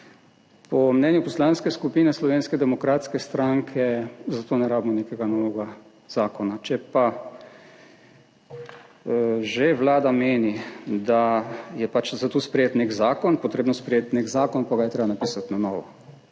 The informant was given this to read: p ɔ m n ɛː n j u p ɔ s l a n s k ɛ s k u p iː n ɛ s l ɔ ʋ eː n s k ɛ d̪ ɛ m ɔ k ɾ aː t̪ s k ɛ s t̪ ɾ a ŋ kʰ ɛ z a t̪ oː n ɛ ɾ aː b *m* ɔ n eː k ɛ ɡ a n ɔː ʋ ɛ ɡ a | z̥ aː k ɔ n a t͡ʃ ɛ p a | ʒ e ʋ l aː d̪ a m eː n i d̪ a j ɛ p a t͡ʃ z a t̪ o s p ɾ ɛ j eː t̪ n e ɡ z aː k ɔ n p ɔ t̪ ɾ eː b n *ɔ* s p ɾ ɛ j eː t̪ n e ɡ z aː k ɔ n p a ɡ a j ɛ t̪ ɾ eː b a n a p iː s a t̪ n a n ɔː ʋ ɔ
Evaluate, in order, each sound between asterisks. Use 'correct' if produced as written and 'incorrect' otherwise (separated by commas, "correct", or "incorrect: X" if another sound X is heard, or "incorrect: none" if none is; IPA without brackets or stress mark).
correct, correct